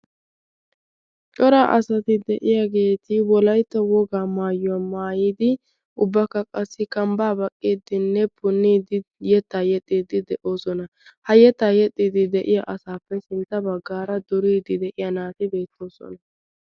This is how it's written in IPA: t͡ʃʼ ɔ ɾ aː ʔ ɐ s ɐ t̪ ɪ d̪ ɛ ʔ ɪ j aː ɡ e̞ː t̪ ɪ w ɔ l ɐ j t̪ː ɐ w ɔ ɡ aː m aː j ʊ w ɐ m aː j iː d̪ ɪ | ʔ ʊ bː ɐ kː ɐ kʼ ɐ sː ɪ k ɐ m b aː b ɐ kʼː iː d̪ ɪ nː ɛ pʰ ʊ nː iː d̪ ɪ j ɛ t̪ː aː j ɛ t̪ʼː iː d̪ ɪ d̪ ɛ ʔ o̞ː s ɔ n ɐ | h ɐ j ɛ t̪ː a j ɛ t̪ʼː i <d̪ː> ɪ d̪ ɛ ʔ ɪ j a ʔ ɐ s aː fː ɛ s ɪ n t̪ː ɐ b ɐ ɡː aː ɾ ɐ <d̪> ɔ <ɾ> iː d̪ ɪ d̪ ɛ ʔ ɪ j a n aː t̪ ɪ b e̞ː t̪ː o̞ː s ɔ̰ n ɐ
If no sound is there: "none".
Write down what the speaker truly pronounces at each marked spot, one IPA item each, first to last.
d̪, d̪, ɾ

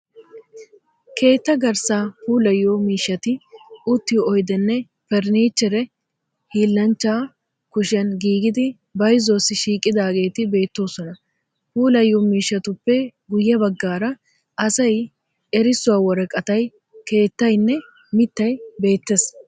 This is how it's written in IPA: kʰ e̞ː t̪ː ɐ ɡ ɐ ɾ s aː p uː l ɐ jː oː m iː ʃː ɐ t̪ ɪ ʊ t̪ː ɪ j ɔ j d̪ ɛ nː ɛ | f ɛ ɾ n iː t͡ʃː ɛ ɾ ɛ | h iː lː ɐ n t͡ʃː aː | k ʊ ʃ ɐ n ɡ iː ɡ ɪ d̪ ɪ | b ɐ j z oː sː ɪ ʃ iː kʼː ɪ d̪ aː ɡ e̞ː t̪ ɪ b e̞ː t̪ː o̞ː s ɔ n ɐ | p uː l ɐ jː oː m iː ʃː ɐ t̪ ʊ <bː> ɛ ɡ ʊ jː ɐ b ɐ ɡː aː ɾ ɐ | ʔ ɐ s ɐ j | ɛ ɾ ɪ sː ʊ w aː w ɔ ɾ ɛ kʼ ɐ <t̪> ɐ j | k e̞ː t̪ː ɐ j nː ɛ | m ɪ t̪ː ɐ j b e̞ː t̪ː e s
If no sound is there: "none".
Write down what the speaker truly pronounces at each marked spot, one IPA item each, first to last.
pː, t̪

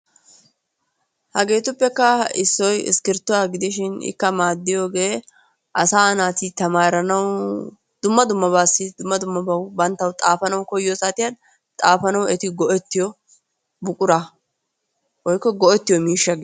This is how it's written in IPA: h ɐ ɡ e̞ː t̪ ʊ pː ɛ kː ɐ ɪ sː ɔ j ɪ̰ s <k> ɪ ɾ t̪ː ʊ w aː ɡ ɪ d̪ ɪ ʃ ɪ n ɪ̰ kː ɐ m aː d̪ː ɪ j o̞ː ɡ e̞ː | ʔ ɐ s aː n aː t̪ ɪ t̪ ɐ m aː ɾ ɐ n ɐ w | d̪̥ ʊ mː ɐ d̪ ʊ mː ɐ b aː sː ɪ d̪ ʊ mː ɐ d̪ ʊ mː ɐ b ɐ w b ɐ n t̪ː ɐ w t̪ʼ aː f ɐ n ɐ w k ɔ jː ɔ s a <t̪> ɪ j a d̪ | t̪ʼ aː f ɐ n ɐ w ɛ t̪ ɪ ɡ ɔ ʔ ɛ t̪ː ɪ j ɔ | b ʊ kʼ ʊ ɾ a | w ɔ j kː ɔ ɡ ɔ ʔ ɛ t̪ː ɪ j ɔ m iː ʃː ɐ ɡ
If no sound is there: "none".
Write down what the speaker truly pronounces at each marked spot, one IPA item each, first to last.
k, t̪

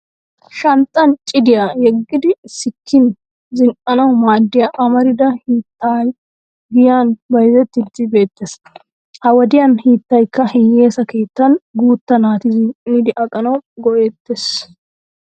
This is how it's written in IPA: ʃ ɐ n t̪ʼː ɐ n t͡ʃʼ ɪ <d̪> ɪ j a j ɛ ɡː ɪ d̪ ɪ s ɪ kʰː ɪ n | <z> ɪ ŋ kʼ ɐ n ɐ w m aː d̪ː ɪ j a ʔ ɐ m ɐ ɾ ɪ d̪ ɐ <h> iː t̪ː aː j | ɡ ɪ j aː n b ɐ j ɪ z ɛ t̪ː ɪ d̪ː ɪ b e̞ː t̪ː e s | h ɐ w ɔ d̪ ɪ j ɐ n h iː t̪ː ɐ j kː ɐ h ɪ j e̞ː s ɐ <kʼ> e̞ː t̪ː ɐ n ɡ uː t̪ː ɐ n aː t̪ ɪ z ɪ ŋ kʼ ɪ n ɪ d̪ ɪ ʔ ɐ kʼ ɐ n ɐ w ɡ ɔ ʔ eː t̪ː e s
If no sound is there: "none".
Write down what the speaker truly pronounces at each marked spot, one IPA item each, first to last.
d̪, z, h, k

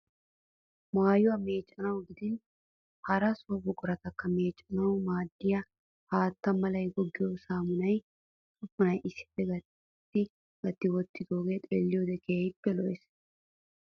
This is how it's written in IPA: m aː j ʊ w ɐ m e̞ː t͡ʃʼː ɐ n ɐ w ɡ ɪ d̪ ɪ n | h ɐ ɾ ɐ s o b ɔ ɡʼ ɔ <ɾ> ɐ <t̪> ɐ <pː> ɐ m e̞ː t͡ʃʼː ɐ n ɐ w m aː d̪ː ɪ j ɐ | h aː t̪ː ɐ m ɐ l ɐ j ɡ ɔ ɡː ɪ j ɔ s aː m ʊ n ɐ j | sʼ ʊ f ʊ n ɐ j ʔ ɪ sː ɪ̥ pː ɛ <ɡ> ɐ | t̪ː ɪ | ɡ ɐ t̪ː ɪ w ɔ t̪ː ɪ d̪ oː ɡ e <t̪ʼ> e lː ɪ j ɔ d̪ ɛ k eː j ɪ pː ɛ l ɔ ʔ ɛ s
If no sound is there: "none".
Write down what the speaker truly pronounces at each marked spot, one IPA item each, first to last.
ɾ, t̪, kː, ɡ, t̪ʼ

